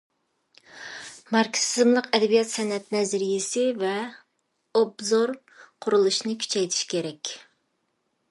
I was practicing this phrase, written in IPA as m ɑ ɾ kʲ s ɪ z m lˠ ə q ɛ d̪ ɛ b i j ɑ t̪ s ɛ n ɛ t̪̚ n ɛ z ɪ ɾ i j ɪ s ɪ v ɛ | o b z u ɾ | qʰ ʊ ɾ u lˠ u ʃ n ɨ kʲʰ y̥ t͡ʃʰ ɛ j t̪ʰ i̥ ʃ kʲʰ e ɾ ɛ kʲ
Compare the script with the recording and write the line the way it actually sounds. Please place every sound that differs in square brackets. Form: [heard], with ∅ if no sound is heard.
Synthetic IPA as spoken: m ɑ ɾ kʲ s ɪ z m lˠ ə q ɛ d̪ ɛ b i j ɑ t̪ s ɛ n ɛ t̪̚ n ɛ z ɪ ɾ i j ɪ s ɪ v ɛ | o b z [o] ɾ | qʰ ʊ ɾ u lˠ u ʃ n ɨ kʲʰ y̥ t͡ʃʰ ɛ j t̪ʰ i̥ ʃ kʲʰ e ɾ ɛ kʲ